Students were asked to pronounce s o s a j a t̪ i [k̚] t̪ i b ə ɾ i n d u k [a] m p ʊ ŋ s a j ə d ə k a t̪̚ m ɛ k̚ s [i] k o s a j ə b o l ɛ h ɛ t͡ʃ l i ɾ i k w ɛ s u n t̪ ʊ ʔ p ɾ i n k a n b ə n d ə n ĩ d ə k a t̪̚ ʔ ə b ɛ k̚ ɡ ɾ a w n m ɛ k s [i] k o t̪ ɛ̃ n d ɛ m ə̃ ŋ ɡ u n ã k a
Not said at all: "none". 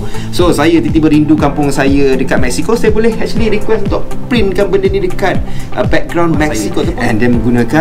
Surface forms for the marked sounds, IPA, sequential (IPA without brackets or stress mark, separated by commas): none, a, i, i